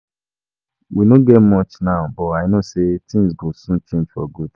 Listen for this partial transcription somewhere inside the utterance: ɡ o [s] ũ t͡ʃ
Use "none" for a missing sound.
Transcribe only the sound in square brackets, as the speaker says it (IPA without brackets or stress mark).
s